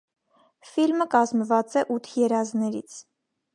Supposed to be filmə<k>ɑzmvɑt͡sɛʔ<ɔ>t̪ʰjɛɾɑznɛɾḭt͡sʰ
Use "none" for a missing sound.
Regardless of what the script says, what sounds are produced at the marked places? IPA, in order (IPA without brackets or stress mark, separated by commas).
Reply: k, u